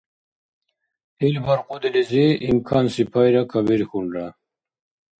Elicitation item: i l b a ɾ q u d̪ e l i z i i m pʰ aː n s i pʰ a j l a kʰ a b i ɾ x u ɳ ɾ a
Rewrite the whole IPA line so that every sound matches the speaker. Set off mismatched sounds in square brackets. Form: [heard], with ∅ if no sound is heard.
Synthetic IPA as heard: i l b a ɾ q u d̪ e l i z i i m [kʰ] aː n s i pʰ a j [ɾ] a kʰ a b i ɾ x u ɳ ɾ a